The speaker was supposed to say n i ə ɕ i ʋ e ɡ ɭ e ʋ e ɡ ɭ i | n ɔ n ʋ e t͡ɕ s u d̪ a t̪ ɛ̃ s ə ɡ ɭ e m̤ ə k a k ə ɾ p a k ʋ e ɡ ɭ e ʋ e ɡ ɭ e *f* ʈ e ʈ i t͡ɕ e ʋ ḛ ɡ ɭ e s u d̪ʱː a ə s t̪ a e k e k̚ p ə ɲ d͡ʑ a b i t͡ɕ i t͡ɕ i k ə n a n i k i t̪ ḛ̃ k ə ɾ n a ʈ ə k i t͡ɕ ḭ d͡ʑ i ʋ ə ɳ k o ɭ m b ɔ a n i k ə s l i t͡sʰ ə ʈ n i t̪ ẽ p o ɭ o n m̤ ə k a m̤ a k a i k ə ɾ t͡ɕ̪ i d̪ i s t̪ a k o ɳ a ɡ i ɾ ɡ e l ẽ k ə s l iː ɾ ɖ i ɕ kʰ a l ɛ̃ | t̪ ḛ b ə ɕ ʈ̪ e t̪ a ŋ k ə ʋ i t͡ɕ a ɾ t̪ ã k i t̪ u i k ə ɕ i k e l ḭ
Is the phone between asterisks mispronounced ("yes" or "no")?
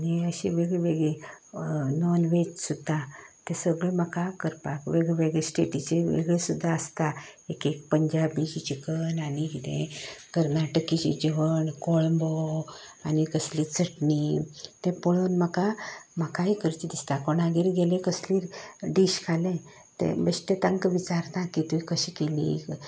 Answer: yes